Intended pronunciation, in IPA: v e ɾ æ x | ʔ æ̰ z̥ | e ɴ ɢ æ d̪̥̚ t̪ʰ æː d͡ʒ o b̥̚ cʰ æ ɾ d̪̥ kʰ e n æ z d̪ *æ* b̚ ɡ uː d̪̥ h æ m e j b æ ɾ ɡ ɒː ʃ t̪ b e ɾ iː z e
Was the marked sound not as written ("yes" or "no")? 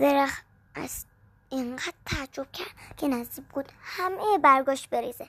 yes